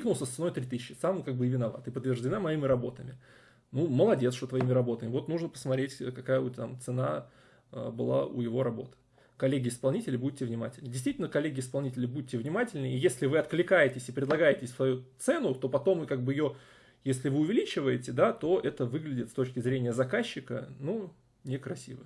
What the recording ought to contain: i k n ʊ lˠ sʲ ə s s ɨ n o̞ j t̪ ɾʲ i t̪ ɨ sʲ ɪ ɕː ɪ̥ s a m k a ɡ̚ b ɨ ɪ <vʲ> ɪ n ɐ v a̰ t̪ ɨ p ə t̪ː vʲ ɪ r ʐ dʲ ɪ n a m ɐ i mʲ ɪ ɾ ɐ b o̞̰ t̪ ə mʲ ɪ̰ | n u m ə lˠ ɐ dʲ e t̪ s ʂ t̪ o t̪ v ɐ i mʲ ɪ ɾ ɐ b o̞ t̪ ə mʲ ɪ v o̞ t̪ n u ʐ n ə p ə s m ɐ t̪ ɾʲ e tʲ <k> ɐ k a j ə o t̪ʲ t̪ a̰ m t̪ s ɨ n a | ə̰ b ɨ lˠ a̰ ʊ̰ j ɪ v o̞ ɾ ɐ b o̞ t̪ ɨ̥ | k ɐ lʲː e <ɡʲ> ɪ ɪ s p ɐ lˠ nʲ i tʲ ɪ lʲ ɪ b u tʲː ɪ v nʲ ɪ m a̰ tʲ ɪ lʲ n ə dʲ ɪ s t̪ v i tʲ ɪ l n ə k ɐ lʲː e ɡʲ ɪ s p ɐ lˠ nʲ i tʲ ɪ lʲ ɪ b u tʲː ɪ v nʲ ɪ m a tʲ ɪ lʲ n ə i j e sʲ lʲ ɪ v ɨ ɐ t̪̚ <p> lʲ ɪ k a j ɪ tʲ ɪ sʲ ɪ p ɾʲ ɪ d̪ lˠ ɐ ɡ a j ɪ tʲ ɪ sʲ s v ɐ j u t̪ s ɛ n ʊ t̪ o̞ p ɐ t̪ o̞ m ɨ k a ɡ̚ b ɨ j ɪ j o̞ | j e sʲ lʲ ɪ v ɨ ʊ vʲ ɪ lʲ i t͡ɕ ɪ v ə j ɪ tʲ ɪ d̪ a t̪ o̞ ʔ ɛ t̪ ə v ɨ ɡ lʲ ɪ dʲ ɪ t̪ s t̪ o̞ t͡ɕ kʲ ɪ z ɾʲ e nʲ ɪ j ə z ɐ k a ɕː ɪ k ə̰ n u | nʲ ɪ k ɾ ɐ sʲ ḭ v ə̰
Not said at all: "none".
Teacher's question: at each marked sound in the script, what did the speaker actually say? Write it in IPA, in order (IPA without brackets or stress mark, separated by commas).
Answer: vʲ, k, ɡʲ, k